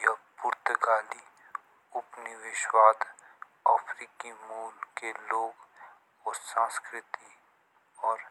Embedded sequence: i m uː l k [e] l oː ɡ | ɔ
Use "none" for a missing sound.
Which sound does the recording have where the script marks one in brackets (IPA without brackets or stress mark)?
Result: e